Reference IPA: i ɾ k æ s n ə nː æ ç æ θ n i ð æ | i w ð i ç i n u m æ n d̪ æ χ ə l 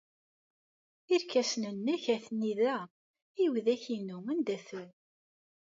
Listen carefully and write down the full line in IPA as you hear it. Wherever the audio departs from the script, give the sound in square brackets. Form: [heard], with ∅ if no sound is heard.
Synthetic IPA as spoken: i ɾ k æ s n ə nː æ ç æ θ n i ð æ | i w ð [æ] ç i n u m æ n d̪ æ [θ] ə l